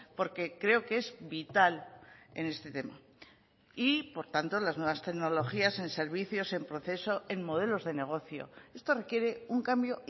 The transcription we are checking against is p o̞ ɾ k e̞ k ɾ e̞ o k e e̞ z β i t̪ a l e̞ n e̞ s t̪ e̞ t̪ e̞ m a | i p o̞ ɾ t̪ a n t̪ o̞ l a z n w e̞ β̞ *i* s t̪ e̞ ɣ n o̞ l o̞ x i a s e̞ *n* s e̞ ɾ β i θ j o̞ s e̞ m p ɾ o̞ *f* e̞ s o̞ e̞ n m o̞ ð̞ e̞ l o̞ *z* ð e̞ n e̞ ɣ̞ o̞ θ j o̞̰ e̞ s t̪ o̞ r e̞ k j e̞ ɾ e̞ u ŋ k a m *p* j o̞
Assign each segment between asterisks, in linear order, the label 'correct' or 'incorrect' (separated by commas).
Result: incorrect, correct, incorrect, correct, incorrect